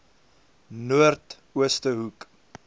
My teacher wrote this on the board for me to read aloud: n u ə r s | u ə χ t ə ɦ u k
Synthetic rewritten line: n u ə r t | u ə s t ə ɦ u k